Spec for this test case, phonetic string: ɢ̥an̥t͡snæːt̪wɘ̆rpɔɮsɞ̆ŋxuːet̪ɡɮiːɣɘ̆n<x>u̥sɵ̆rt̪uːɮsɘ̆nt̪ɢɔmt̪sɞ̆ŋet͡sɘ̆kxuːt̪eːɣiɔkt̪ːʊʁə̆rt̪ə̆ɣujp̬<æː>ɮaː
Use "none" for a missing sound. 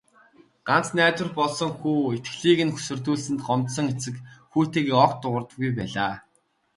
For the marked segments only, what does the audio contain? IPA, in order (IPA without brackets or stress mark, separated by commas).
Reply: x, æː